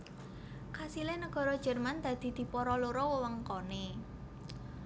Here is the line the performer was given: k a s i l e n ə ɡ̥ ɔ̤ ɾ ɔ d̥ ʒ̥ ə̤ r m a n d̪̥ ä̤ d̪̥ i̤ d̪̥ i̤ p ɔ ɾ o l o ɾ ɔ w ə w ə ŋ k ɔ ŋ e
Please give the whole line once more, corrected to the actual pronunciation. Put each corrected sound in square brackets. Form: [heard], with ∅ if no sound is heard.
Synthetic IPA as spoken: k a s i l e n ə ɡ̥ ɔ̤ ɾ ɔ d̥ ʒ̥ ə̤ r m a n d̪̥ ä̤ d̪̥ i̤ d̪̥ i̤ p ɔ ɾ [ɔ] l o ɾ ɔ w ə w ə ŋ k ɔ [n] e